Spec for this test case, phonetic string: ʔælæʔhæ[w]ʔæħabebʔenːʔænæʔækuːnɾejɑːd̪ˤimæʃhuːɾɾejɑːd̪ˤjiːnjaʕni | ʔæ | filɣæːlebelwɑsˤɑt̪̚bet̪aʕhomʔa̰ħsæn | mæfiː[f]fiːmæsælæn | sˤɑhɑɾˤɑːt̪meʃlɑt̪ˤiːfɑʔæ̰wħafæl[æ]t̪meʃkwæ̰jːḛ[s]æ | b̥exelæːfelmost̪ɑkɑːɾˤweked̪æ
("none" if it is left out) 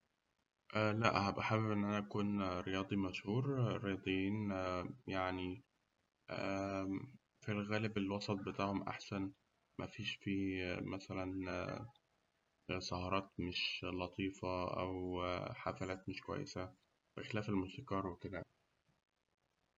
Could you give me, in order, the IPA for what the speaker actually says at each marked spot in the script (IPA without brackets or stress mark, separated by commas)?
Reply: b, ʃ, æː, s